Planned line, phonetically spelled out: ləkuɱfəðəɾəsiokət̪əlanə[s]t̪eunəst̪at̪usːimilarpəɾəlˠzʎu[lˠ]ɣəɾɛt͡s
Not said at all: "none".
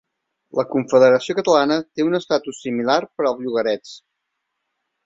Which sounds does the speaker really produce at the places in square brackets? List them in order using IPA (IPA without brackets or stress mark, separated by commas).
none, none